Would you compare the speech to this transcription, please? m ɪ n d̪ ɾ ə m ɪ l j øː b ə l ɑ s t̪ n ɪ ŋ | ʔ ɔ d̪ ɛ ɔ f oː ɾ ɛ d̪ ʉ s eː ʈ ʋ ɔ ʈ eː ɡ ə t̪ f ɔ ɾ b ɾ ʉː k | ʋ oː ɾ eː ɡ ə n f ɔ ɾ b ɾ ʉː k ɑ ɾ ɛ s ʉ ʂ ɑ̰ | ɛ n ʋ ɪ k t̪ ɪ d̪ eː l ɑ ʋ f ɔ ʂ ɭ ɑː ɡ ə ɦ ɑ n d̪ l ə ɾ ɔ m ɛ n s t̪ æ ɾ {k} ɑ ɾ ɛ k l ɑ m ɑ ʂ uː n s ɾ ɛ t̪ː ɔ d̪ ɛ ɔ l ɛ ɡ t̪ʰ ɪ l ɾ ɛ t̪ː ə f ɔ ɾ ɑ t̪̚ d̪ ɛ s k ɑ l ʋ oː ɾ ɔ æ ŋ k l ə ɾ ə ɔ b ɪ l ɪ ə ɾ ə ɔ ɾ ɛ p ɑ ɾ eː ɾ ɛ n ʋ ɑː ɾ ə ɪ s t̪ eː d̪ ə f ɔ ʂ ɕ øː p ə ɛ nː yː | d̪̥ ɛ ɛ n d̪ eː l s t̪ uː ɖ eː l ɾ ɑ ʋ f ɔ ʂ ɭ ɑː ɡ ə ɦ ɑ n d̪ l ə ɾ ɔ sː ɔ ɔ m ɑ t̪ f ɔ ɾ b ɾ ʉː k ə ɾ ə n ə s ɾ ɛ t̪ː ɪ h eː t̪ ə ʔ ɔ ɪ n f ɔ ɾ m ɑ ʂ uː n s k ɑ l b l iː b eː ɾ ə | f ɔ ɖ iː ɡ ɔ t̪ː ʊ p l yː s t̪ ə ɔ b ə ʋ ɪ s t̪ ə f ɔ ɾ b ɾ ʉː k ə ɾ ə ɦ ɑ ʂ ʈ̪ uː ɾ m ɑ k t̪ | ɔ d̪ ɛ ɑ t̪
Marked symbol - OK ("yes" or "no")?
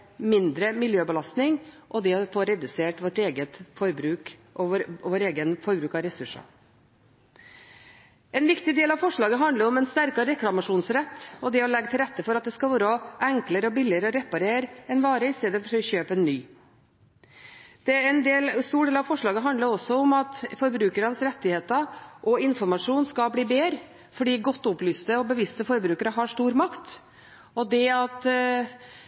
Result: yes